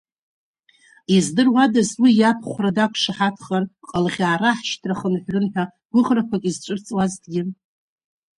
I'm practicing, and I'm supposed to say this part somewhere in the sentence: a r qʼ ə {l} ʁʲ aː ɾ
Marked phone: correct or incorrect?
correct